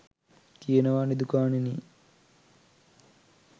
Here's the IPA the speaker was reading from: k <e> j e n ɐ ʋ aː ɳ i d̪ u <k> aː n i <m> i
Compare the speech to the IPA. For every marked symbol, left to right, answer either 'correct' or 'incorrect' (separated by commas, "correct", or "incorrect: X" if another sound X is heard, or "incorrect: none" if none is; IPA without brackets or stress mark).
incorrect: i, correct, incorrect: n